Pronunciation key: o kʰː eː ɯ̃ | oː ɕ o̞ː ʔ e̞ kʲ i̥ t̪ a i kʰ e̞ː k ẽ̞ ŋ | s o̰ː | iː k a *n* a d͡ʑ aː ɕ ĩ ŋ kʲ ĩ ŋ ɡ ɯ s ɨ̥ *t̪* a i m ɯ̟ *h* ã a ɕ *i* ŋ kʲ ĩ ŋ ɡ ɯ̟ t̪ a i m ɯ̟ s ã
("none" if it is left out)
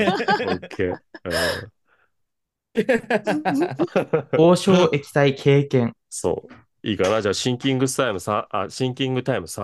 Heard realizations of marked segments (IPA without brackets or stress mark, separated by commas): n, t̪, s, ĩ